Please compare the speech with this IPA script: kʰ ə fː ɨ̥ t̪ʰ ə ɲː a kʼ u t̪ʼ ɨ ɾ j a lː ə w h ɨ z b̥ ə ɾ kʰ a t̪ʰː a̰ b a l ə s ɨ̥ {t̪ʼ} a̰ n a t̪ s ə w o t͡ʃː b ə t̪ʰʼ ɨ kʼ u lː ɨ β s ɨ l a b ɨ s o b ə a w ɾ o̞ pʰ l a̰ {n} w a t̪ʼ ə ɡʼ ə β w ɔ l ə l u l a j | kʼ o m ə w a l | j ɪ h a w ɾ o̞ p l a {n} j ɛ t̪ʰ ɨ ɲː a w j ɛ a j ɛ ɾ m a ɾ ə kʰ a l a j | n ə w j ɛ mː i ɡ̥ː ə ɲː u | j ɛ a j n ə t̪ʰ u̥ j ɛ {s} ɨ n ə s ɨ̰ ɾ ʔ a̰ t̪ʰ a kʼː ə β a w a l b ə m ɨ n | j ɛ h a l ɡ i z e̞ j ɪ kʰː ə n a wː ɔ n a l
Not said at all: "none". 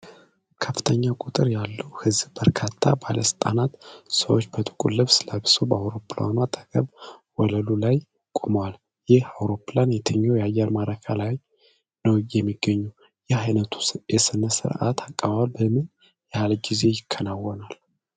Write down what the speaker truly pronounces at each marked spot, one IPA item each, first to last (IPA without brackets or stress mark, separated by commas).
t̪ʼ, n, n, s